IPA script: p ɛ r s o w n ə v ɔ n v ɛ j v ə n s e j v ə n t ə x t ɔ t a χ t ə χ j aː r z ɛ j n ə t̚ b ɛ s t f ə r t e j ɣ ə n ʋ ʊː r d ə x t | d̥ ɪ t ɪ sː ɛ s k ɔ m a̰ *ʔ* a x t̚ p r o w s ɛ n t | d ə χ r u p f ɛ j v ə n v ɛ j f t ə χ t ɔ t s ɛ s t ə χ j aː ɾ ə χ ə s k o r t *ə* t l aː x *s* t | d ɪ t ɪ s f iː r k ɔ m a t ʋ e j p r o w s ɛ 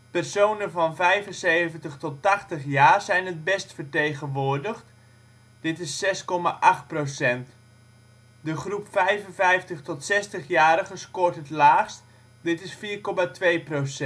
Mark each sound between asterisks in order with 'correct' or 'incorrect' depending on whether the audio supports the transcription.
correct, correct, correct

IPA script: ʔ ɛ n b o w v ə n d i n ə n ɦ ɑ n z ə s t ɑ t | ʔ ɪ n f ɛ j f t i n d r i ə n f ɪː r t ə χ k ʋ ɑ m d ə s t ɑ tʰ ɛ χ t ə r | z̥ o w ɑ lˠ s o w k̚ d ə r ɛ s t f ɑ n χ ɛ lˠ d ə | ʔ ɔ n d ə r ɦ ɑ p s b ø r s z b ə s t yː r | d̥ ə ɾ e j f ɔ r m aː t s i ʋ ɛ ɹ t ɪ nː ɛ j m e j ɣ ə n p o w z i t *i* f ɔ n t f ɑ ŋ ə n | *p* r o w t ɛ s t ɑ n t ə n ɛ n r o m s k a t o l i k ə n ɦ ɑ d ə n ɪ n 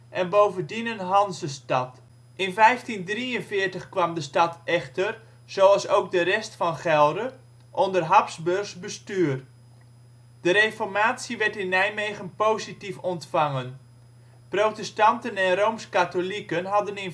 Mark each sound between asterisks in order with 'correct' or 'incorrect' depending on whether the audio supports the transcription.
correct, correct

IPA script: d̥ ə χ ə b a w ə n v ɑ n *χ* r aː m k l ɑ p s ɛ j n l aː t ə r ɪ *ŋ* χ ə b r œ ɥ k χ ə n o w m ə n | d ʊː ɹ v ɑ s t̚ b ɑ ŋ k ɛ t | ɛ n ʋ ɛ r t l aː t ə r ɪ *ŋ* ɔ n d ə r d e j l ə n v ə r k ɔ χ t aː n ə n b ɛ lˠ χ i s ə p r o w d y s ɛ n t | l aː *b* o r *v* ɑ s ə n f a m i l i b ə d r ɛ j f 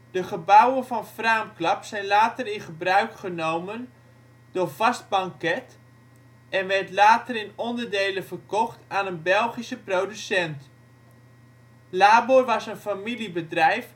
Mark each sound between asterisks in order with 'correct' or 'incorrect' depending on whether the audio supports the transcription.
incorrect: f, incorrect: n, incorrect: n, correct, incorrect: ʋ

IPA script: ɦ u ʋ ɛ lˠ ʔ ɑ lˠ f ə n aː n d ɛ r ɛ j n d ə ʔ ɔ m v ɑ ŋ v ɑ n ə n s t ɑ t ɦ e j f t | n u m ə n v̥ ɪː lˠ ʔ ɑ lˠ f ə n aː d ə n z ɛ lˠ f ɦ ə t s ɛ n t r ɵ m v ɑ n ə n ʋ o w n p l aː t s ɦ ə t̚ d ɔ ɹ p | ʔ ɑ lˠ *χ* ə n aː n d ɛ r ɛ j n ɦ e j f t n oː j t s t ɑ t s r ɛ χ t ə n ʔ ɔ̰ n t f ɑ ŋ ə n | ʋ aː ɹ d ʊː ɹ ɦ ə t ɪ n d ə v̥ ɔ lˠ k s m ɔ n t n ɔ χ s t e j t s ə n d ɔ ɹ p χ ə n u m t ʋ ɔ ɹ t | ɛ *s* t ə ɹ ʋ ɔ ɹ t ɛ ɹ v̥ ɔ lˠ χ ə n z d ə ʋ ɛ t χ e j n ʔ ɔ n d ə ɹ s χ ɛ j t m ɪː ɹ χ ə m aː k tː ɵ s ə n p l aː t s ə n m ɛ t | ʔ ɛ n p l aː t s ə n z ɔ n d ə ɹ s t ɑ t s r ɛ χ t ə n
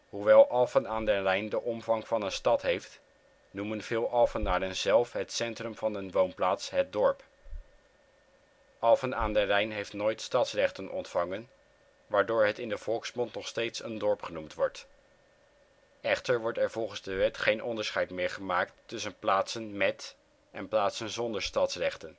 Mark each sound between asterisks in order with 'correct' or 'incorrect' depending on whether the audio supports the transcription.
incorrect: f, incorrect: χ

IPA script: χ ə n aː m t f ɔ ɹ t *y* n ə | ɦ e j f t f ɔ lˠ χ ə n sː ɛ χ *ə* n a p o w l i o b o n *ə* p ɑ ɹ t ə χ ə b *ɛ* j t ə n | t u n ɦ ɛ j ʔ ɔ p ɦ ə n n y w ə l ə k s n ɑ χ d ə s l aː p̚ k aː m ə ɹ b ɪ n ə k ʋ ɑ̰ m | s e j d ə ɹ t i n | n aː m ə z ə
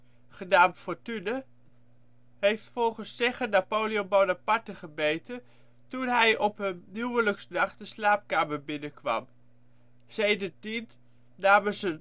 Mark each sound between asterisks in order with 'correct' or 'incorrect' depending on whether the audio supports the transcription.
correct, correct, incorrect: a, incorrect: e

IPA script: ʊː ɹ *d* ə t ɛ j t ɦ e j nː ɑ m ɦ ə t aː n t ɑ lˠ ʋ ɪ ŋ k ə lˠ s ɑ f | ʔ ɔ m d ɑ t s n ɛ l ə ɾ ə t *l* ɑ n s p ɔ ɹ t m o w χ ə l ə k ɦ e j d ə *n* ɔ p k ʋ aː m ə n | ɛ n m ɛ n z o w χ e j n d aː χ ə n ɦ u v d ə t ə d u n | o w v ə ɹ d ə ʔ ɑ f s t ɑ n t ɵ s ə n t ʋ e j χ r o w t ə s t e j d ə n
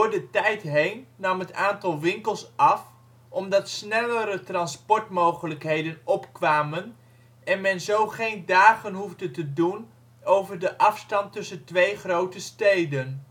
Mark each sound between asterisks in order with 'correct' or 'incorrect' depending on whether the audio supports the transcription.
correct, incorrect: r, correct

